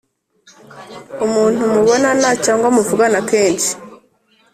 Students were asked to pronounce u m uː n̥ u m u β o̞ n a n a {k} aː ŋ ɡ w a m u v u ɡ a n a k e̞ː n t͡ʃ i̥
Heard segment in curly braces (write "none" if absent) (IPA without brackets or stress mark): c